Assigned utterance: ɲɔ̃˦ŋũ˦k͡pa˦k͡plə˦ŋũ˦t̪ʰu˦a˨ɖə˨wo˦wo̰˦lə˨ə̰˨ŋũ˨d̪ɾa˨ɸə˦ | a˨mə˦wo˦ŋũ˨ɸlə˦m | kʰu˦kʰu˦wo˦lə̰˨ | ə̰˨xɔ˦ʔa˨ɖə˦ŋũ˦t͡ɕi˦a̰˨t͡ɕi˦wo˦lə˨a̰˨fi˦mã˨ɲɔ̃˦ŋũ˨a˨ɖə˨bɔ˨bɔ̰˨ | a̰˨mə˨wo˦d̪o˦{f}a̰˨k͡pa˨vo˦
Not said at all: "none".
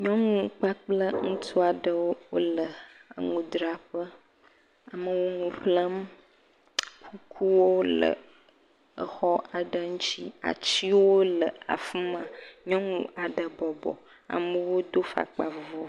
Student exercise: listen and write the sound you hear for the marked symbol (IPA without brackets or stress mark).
f